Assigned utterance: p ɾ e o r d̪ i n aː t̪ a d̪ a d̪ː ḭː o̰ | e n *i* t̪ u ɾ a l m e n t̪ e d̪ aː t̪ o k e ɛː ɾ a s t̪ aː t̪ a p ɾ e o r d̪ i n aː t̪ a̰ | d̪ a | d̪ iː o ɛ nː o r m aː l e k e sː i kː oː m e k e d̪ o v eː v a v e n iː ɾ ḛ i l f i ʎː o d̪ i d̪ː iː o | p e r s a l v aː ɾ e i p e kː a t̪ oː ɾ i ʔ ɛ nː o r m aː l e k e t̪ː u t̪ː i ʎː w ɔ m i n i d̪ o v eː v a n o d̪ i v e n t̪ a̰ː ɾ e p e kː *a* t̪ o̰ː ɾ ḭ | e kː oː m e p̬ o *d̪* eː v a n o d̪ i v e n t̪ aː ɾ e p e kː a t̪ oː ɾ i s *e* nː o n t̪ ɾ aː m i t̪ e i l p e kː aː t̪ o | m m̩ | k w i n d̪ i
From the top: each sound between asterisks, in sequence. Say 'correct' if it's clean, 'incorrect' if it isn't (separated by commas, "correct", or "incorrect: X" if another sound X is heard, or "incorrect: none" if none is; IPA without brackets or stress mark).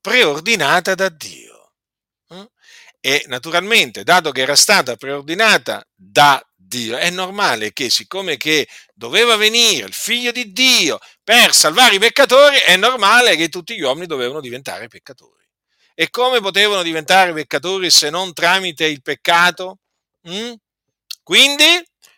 incorrect: a, correct, incorrect: t̪, correct